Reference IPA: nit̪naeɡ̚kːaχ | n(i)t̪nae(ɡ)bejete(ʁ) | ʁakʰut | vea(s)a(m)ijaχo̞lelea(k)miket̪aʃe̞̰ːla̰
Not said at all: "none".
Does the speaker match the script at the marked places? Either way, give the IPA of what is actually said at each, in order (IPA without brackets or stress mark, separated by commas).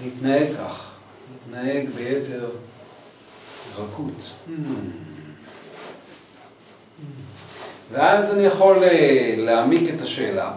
i, ɡ, ʁ, z, n, none